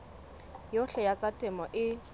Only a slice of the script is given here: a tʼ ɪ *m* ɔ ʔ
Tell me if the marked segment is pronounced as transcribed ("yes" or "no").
yes